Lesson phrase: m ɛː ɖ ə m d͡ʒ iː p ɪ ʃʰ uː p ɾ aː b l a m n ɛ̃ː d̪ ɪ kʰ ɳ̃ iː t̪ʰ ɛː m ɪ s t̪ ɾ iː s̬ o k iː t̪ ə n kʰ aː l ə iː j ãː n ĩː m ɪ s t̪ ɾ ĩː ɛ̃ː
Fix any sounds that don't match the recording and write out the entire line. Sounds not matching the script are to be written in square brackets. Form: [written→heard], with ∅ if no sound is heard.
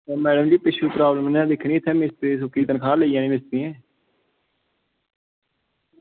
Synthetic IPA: m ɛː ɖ ə m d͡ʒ iː p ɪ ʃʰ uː p ɾ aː b l [a→ə] m n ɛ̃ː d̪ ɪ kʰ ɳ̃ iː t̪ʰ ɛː m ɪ s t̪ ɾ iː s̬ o k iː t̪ ə n kʰ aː l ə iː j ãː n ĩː m ɪ s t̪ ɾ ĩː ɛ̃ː